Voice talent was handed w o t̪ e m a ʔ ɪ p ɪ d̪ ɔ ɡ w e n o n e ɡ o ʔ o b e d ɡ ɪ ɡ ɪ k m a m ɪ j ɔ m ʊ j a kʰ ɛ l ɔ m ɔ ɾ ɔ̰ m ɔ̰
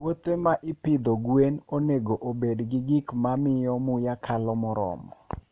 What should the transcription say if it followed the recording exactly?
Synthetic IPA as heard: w o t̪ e m a ʔ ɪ p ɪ d̪ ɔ ɡ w e n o n e ɡ o ʔ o b e d ɡ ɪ ɡ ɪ k m a m ɪ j ɔ m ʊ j a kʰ a l ɔ m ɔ ɾ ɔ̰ m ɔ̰